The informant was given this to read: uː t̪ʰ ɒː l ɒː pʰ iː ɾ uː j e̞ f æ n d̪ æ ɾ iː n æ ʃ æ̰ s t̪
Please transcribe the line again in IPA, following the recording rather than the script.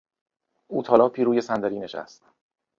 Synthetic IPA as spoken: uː t̪ʰ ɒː l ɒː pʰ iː ɾ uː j e̞ s æ n d̪ æ ɾ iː n e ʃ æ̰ s t̪